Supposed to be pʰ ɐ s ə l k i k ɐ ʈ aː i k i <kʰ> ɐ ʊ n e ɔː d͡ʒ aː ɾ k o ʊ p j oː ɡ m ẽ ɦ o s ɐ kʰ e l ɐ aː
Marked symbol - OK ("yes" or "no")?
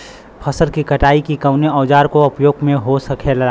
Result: no